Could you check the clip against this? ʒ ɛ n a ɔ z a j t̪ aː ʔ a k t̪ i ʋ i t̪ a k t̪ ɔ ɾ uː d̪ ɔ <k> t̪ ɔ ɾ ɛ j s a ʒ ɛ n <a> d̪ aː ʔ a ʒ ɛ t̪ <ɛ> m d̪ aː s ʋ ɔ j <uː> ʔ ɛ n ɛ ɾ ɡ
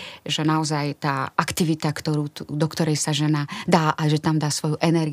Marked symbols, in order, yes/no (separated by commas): yes, yes, no, no